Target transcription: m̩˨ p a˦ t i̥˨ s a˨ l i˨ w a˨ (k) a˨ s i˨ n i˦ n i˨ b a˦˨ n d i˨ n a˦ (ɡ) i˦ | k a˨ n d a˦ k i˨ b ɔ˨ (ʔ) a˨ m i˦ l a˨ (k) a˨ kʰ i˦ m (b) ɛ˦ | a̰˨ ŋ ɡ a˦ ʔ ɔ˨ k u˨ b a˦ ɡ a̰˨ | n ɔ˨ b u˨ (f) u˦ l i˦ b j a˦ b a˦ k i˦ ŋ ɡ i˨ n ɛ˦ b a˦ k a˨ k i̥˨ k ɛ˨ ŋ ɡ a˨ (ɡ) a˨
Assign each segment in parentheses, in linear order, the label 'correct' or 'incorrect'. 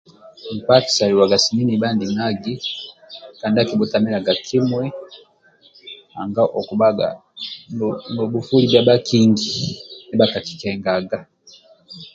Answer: incorrect: ɡ, correct, incorrect: t, incorrect: ɡ, incorrect: w, correct, correct

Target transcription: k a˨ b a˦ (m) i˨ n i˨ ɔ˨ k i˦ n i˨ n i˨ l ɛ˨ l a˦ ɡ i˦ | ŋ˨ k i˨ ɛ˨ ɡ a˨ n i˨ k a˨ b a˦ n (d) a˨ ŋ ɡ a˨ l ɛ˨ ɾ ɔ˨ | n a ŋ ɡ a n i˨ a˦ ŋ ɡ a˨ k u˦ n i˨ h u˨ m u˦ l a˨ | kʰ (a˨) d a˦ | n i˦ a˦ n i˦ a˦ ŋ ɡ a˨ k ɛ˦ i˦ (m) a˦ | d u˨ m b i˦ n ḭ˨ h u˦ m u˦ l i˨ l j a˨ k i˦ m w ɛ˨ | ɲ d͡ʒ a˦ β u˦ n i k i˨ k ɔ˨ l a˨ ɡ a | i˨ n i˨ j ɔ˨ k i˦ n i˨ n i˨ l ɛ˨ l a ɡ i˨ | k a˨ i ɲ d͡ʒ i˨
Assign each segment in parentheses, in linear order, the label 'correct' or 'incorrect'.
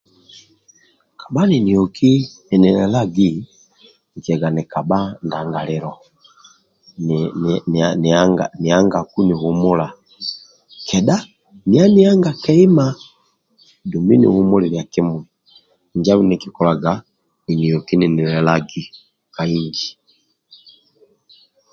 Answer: incorrect: n, correct, incorrect: ɛ˨, correct

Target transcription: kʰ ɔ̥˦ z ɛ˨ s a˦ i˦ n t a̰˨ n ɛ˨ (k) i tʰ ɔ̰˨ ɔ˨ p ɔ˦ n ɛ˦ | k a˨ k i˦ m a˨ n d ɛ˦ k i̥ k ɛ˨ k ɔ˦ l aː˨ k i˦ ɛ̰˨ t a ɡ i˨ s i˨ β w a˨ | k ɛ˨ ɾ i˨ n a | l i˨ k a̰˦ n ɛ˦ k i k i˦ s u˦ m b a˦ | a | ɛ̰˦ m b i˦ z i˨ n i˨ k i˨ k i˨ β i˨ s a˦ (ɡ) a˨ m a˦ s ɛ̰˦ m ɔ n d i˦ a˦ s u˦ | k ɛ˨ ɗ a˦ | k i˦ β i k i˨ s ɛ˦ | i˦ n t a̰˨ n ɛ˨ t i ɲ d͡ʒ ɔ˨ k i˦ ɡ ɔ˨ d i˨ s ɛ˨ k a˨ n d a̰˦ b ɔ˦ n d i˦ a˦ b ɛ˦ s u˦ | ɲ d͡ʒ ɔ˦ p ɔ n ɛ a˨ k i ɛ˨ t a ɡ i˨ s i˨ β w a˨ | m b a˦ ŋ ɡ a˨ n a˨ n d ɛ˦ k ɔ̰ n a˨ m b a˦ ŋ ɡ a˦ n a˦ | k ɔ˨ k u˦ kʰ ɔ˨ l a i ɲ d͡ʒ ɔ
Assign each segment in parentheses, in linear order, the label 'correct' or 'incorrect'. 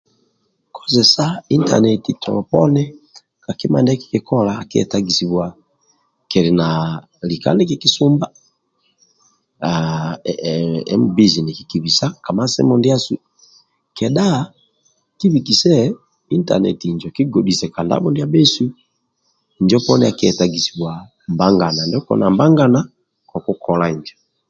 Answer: incorrect: t, incorrect: k

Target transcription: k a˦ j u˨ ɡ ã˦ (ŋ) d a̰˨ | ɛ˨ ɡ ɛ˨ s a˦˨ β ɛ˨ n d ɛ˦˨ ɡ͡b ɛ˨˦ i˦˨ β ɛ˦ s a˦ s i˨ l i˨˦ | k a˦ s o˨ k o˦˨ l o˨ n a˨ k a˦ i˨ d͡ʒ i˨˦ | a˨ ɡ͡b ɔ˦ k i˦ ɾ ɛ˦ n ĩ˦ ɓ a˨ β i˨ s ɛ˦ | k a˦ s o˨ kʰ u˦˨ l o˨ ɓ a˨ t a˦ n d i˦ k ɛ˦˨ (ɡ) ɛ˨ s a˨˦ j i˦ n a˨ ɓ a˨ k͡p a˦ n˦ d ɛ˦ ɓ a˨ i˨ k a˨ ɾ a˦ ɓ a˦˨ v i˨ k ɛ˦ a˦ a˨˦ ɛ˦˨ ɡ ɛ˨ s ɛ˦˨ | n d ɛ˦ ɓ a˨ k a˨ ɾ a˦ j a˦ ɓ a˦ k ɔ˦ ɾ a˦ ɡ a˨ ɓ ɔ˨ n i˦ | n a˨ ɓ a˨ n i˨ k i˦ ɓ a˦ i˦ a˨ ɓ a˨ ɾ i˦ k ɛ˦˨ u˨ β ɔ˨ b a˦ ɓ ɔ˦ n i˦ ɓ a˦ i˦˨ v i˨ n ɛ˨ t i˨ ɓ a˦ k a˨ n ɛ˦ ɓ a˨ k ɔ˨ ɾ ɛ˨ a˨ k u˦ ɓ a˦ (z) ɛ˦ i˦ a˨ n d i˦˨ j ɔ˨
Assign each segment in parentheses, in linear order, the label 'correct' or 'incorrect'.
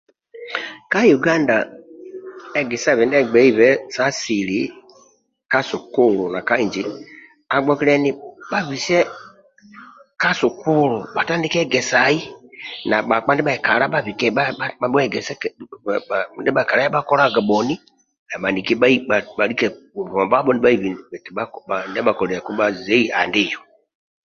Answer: incorrect: n, correct, correct

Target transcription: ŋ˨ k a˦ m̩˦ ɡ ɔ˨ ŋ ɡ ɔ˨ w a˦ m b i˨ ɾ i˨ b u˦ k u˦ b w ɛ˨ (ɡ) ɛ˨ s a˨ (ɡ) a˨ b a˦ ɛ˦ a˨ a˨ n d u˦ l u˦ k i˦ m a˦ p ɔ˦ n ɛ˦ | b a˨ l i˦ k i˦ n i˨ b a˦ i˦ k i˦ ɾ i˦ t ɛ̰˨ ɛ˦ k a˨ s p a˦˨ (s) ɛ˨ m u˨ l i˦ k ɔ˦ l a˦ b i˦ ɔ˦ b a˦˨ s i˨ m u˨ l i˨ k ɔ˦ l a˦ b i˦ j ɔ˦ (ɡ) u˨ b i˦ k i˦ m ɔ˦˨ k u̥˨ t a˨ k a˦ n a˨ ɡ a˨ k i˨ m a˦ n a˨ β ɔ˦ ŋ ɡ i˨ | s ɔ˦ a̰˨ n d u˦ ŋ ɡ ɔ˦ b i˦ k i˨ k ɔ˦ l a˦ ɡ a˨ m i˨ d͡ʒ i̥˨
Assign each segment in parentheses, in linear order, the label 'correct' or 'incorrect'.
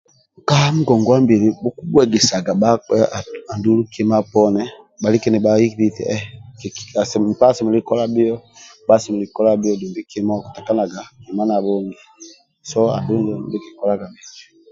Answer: correct, correct, correct, incorrect: d

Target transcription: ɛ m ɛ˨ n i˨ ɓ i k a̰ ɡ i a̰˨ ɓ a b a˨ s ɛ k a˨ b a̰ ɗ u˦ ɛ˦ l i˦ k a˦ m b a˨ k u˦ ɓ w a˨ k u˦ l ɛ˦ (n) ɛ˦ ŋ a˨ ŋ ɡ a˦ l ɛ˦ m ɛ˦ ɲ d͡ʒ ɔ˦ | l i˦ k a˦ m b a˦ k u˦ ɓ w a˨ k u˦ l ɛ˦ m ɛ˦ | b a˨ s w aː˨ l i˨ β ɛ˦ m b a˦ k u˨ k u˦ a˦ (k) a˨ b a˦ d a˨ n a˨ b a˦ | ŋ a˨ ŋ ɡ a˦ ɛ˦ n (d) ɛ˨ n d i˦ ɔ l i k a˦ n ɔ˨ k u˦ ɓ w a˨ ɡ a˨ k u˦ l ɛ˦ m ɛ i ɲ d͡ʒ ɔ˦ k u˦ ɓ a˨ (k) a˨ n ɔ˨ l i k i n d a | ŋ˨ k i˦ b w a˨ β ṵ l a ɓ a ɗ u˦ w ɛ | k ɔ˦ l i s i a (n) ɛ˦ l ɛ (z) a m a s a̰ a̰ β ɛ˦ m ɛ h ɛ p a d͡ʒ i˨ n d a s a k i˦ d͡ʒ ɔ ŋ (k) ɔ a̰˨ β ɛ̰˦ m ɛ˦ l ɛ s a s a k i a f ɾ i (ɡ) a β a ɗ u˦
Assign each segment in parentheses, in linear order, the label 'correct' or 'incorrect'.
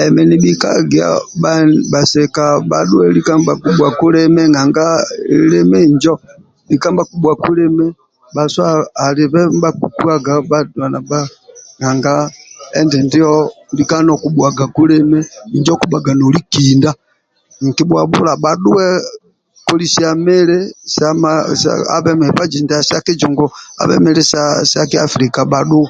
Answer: incorrect: m, incorrect: ɡ, correct, incorrect: ɡ, incorrect: m, incorrect: s, incorrect: ɡ, incorrect: k

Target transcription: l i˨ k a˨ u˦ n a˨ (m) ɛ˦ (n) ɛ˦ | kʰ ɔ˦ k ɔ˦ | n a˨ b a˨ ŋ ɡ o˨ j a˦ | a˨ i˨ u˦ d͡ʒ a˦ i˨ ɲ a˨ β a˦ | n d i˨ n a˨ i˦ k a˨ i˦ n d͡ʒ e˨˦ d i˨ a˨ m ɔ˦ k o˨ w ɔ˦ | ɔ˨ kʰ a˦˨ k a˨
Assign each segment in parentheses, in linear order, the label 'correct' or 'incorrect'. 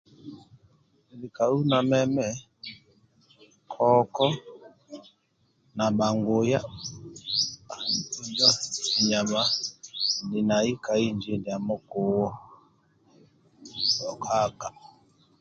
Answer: correct, incorrect: m

